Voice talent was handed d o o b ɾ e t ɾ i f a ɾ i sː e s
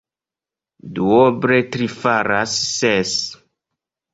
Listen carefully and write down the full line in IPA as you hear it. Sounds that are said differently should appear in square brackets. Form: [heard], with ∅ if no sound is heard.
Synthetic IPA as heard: d [u] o b ɾ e t ɾ i f a ɾ [a] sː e s